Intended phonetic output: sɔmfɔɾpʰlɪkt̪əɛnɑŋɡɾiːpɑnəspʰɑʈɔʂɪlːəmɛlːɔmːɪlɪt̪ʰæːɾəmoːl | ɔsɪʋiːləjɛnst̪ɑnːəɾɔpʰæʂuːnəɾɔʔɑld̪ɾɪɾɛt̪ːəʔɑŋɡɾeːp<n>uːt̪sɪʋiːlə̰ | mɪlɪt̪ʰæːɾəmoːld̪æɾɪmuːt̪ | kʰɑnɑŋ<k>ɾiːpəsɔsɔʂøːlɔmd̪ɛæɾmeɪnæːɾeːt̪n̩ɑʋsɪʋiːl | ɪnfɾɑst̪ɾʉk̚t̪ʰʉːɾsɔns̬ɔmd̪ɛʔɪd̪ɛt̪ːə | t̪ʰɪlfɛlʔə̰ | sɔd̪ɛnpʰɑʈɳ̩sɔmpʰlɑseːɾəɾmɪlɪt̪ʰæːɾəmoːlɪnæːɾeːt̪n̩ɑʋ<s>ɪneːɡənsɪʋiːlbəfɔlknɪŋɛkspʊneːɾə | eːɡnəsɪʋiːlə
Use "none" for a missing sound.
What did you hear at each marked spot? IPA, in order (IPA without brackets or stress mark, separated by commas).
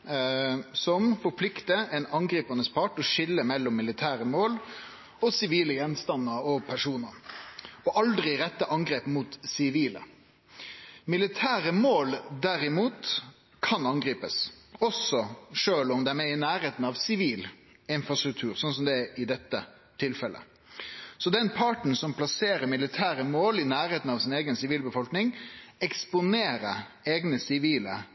m, ɡ, s